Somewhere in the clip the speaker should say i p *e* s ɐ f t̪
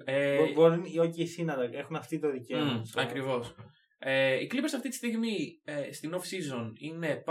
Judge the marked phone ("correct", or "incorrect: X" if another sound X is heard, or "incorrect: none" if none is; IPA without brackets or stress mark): correct